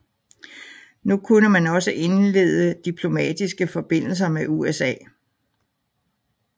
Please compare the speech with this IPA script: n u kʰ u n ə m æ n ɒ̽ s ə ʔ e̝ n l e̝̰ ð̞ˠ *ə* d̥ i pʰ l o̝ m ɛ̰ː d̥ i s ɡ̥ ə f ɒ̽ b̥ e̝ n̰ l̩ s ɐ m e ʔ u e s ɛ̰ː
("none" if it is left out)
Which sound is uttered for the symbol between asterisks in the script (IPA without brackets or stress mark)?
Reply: ə